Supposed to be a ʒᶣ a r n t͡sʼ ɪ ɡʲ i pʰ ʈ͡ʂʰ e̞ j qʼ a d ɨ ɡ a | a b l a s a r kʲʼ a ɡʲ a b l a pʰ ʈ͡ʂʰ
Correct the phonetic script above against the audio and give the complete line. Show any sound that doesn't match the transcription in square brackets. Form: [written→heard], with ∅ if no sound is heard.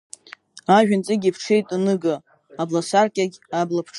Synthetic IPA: a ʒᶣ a [r→∅] n t͡sʼ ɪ ɡʲ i pʰ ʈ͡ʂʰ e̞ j [qʼ→tʼ] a [d→n] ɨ ɡ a | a b l a s a r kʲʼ a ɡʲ a b l a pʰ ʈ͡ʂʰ